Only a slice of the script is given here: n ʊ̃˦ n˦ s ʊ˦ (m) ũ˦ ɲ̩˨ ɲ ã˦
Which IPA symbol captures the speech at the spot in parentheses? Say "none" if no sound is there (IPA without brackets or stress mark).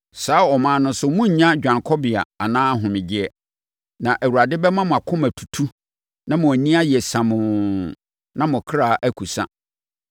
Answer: m